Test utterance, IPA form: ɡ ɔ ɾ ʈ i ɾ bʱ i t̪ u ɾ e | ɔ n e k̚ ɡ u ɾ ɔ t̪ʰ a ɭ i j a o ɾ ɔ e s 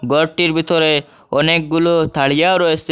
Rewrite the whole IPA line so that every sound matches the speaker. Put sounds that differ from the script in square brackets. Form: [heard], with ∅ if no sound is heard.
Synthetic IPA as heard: ɡ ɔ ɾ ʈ i ɾ bʱ i t̪ [ɔ] ɾ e | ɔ n e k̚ ɡ u [l] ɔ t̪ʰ a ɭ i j a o ɾ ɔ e s